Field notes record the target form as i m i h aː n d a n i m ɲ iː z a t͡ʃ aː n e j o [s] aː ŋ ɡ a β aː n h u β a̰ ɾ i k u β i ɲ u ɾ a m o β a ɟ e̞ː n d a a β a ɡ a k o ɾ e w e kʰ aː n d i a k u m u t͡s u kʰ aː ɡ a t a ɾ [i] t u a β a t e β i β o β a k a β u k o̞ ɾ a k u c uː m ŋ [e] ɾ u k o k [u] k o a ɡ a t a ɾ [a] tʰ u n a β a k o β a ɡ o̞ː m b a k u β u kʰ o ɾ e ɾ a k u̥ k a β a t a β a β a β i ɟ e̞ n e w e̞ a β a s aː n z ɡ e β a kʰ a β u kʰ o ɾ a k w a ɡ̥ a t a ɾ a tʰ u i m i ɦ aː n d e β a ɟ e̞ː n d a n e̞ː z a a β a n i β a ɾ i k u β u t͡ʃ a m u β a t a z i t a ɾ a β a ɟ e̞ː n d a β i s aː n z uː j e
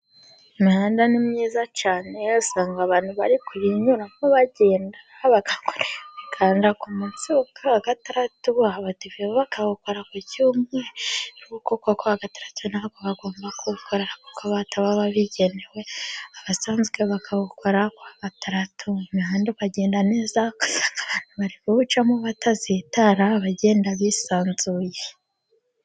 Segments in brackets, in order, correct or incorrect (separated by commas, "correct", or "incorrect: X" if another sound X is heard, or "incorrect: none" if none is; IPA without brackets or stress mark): correct, incorrect: a, correct, incorrect: o, correct